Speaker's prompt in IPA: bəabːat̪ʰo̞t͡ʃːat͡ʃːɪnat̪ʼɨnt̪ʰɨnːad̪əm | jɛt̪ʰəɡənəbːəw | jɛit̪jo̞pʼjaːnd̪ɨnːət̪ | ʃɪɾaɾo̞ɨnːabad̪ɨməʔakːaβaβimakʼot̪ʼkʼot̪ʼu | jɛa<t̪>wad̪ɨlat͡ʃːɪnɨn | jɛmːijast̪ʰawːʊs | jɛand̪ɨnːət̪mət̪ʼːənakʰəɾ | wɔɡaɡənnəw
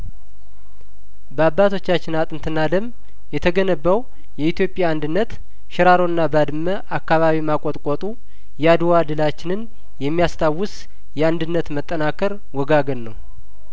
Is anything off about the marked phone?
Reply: yes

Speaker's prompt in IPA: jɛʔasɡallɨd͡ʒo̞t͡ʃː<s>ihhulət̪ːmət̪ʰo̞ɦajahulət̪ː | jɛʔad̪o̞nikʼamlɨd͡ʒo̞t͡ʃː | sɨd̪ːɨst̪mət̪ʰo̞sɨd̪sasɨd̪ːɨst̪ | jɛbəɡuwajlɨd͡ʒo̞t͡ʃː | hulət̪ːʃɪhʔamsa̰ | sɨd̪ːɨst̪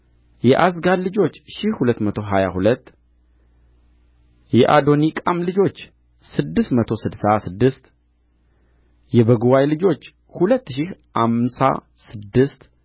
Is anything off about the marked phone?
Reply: yes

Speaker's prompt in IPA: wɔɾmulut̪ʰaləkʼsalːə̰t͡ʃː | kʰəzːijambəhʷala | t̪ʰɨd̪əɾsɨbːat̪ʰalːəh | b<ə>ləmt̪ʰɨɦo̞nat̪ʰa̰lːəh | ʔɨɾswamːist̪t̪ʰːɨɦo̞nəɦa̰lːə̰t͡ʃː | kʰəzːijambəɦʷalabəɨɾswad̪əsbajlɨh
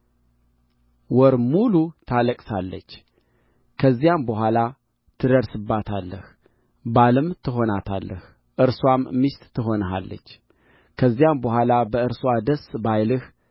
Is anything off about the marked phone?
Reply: yes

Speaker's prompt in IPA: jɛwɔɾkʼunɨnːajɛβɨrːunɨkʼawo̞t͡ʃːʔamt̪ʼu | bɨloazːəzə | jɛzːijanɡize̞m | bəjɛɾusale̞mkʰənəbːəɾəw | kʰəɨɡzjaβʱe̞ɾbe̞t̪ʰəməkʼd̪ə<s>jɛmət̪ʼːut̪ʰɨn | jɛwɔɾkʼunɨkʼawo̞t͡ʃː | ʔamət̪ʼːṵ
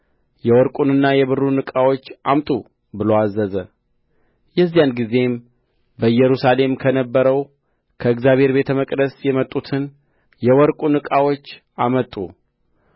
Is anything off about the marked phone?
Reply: no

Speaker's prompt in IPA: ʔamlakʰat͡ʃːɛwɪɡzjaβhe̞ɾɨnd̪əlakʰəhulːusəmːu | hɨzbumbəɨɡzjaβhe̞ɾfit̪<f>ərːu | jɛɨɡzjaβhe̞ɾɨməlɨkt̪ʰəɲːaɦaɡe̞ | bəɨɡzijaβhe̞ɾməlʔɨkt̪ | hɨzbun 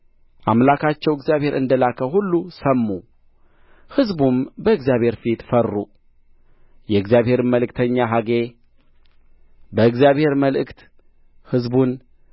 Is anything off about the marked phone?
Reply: no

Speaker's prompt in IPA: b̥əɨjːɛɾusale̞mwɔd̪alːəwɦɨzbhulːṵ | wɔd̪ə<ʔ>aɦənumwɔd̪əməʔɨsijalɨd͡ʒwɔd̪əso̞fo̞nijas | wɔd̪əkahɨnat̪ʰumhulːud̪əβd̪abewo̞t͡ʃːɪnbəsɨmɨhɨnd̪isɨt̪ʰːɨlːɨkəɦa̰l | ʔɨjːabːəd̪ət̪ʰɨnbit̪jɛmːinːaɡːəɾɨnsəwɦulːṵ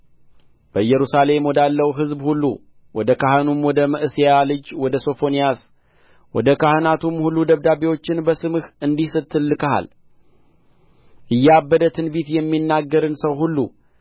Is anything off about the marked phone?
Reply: yes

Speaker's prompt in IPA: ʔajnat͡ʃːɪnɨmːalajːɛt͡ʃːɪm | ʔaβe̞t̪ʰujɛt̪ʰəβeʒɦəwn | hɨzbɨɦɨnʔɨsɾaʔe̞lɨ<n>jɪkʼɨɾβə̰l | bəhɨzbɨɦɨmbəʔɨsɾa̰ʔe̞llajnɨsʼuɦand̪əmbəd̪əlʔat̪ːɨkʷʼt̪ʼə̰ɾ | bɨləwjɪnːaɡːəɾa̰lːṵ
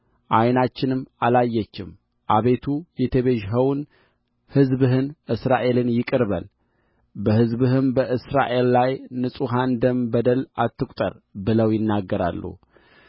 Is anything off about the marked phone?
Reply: no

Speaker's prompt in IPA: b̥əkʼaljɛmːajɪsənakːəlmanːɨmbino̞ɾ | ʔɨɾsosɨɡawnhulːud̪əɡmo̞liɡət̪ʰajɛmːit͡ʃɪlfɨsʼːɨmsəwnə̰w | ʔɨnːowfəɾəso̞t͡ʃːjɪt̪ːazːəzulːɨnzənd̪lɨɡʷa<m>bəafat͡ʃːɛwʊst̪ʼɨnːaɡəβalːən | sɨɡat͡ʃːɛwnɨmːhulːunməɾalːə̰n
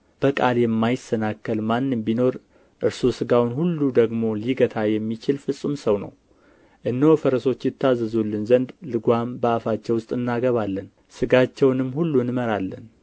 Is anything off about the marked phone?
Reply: no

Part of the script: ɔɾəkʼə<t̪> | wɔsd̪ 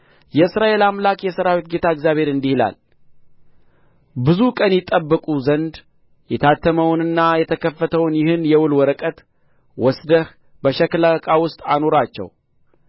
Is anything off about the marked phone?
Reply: no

